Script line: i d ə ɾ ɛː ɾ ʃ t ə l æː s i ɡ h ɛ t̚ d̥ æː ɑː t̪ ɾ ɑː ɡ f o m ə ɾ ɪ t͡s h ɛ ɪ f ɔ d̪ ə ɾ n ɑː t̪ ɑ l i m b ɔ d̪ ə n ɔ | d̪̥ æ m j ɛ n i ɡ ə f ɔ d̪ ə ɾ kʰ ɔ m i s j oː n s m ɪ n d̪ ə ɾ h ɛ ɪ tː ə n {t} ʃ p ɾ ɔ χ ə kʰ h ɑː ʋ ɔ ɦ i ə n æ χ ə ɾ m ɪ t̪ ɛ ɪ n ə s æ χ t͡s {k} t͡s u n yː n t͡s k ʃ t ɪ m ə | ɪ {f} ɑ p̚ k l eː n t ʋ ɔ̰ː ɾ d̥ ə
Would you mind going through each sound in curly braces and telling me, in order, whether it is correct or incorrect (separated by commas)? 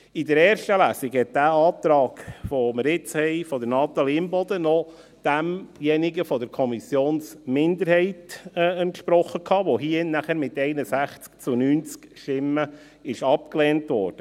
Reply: correct, correct, incorrect